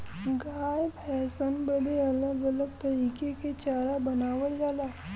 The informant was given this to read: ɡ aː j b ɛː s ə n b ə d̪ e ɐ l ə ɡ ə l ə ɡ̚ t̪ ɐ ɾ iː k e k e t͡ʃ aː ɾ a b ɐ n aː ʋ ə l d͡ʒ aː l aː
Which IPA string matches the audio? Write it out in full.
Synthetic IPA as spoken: ɡ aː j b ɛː s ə n b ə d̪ e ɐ l ə ɡ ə l ə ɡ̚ t̪ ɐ ɾ iː k e k e t͡ʃ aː ɾ a b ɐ n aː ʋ ə l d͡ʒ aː l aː